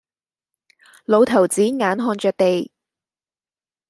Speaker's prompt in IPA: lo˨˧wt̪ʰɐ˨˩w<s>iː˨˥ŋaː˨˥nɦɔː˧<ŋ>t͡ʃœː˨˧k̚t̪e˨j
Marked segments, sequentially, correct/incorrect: incorrect: t͡s, incorrect: n

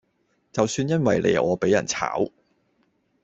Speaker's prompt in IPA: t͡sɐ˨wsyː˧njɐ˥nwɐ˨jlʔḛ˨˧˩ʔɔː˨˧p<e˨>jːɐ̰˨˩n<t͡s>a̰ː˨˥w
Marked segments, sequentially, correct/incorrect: incorrect: e˨˥, incorrect: t͡sʰ

